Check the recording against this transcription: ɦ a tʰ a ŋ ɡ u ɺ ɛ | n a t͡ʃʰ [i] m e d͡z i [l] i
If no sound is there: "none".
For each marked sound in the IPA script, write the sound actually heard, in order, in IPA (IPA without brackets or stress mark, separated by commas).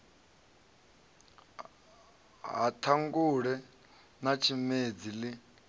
i, l